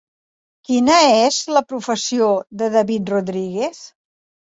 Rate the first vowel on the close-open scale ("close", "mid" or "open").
close